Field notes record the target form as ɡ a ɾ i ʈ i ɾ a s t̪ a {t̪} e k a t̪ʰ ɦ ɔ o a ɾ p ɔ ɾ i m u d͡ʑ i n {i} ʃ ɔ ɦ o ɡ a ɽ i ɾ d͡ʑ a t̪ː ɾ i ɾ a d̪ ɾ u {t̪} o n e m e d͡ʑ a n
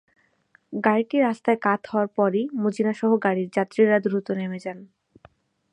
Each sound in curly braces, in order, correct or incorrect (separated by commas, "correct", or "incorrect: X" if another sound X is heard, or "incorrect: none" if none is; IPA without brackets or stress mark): incorrect: none, incorrect: a, correct